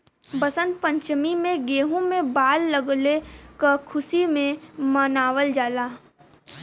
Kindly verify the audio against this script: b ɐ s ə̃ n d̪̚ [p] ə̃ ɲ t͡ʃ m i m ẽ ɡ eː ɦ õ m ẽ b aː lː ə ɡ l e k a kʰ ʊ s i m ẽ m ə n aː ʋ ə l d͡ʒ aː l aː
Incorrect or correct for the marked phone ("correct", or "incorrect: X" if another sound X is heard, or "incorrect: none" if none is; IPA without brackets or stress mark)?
correct